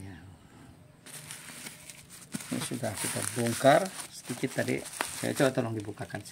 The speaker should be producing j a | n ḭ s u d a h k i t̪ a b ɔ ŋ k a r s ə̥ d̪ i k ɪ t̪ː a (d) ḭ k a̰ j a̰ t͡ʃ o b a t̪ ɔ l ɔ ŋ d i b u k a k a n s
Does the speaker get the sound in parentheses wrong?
no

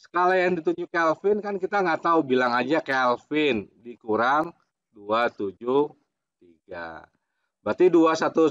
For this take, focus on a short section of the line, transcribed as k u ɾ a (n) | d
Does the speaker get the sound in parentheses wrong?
yes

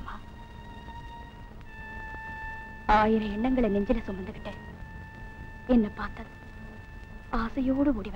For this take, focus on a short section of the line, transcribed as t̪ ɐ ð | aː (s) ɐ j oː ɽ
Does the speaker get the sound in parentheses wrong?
no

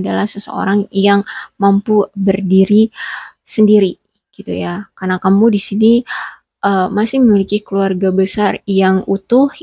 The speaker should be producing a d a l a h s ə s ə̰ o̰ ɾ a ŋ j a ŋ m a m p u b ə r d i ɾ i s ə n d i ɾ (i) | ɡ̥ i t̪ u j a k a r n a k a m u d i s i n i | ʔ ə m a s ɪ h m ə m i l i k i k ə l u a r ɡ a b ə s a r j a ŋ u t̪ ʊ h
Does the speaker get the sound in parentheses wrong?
no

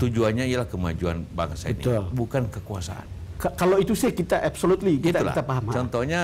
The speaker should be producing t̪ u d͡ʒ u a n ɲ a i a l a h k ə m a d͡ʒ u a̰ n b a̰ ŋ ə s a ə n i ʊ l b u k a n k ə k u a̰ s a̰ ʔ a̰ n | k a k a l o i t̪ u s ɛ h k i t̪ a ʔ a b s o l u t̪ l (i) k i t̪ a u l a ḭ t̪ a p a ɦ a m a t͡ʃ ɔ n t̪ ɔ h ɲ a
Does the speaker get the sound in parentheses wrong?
no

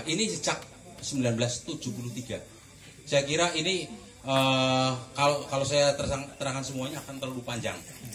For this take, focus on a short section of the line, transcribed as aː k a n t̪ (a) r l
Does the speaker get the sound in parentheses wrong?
yes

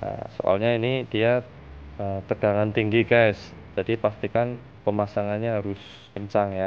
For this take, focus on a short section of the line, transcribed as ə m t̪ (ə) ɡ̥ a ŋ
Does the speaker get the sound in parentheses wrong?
no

